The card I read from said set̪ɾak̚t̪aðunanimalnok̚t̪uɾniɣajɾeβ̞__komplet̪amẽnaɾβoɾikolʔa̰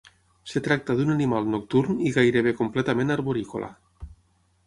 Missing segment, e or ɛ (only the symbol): e